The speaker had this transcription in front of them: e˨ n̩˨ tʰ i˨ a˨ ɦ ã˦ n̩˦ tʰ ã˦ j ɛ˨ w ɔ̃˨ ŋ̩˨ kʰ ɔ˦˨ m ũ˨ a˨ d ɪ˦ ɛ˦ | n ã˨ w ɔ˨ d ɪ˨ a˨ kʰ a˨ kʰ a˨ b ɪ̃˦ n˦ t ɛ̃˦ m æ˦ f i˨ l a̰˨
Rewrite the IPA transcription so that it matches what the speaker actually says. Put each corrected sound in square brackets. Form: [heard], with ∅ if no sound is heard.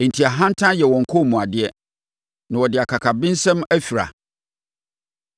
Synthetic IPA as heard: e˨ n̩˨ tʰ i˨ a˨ ɦ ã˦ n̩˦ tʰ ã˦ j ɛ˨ w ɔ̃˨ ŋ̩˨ kʰ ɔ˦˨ m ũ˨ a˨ d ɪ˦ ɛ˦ | n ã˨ w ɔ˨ d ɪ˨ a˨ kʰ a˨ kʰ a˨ b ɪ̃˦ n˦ [s] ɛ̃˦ m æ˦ f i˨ [ɾ] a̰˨